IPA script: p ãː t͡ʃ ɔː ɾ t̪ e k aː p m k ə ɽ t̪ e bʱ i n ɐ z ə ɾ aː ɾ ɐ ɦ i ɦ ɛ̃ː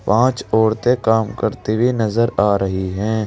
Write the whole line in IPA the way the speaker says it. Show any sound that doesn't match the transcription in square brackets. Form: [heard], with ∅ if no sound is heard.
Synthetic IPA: p ãː t͡ʃ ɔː ɾ t̪ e k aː [∅] m k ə [ɾ] t̪ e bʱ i n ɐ z ə ɾ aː ɾ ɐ ɦ i ɦ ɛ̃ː